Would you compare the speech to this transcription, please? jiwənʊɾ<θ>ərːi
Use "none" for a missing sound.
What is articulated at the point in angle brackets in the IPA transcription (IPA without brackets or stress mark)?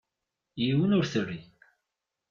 θ